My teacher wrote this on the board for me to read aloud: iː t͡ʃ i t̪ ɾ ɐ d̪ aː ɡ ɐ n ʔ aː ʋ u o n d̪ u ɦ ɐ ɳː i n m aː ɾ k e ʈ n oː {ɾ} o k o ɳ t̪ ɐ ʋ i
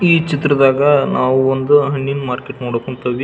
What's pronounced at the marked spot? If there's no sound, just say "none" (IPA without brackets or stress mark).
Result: ɽ